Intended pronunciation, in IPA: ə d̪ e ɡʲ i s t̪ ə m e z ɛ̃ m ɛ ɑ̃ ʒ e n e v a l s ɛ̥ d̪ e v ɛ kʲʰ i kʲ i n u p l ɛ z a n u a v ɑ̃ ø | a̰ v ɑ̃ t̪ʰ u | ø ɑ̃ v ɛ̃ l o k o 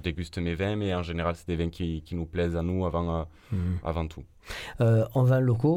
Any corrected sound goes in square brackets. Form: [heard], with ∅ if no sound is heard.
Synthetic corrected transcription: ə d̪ e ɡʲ [y] s t̪ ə m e [v] ɛ̃ m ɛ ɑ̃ ʒ e n e [ʁ] a l s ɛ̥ d̪ e v [ɛ̃] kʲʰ i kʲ i n u p l ɛ z a n u a v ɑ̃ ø | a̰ v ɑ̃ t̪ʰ u | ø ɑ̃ v ɛ̃ l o k o